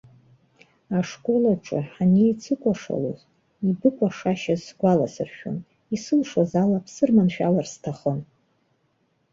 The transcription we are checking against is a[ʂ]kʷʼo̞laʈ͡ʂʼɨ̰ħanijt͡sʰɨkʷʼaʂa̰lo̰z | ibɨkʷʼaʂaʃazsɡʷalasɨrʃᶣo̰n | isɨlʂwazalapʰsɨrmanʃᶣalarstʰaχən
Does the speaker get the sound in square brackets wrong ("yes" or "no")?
no